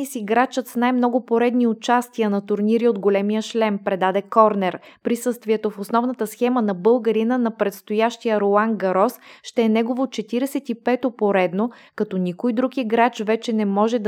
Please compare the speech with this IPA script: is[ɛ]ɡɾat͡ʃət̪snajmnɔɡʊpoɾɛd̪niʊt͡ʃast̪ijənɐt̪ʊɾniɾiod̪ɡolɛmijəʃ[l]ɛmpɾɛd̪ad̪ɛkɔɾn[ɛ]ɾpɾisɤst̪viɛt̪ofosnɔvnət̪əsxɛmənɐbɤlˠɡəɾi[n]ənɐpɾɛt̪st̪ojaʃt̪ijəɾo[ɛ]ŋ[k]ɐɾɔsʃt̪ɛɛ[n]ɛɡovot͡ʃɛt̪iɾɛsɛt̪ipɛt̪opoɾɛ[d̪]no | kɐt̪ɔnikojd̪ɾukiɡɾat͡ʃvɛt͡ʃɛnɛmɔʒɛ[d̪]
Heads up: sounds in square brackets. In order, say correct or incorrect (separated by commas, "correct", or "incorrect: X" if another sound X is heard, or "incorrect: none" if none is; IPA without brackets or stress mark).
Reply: incorrect: i, correct, correct, correct, incorrect: a, incorrect: ɡ, correct, correct, correct